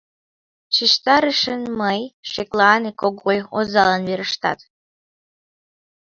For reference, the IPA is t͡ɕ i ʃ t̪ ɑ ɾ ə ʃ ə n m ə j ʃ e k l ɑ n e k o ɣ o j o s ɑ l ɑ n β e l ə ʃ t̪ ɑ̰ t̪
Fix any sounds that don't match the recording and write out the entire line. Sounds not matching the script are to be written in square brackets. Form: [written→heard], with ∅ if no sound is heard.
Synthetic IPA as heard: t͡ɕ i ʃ t̪ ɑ ɾ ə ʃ ə n m ə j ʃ e k l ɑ n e k o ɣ o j o [s→z] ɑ l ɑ n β e [l→ɾ] ə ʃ t̪ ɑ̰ t̪